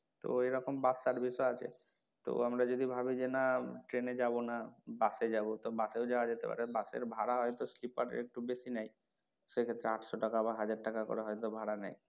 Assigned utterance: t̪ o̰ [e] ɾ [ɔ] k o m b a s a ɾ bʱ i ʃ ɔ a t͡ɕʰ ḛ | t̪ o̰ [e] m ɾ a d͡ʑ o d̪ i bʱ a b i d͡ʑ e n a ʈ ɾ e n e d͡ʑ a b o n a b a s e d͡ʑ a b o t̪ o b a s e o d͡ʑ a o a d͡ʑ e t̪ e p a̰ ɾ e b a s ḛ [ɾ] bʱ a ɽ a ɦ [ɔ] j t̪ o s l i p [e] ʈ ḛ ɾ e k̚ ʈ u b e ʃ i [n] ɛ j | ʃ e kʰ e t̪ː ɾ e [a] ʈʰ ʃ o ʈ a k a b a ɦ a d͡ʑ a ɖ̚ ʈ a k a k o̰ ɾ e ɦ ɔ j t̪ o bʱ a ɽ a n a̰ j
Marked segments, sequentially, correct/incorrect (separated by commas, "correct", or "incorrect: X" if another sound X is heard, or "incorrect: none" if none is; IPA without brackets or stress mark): correct, correct, incorrect: a, correct, correct, incorrect: a, correct, correct